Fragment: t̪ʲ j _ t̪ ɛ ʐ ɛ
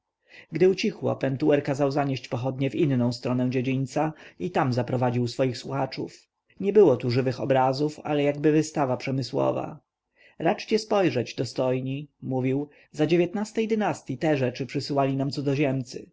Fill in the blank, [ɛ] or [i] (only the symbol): i